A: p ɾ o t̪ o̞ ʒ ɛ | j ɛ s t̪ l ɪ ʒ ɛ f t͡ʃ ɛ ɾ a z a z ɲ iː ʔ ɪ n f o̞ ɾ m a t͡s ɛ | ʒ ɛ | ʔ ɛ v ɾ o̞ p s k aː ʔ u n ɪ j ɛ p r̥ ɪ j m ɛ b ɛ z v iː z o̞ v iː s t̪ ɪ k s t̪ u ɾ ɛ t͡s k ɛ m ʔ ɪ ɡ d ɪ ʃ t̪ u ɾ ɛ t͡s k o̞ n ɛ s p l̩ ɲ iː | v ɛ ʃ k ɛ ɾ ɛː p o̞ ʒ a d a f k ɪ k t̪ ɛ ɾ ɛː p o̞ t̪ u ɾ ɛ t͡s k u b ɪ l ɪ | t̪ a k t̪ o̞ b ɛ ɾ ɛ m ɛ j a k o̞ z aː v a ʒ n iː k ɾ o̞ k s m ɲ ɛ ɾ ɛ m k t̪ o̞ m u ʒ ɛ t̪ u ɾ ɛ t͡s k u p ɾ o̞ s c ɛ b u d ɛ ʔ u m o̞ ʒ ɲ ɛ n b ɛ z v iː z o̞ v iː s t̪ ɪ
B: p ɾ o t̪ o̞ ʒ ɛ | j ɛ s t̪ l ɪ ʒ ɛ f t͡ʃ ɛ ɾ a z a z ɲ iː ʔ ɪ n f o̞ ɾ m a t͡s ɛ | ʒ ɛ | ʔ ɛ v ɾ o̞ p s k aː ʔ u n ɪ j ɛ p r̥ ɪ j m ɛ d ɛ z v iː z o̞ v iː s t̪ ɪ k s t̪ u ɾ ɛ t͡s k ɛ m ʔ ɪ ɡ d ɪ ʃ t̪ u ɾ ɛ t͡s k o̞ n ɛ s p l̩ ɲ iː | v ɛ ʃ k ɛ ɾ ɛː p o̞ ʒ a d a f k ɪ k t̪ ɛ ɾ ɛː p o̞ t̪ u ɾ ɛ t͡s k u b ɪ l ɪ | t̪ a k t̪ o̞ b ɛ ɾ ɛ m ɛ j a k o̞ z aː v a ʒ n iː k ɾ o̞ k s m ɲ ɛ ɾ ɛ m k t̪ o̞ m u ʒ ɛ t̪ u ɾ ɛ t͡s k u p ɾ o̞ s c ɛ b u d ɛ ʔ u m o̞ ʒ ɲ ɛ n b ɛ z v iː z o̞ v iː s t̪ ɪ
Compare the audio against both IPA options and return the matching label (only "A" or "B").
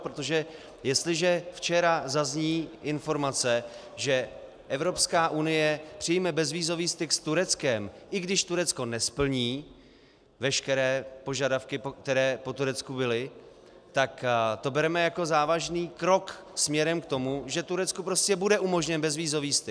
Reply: A